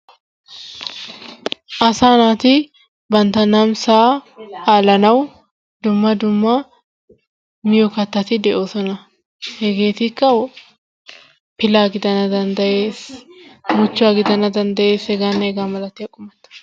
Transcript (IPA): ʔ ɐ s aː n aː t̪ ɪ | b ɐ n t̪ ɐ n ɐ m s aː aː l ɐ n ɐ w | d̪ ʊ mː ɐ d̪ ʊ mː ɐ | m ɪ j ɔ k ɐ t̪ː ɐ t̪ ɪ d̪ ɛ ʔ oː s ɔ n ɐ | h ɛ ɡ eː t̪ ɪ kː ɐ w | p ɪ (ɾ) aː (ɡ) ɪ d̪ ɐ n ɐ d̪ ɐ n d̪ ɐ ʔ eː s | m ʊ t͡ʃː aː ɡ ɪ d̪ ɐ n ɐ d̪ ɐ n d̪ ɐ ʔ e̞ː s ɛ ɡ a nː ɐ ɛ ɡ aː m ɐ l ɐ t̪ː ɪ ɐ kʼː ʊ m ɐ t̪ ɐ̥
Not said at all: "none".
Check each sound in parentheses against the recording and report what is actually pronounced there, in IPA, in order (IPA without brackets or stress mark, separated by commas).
l, ɡ